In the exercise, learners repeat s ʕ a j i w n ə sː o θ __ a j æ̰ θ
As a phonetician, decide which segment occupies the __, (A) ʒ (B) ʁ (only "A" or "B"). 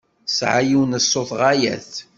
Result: B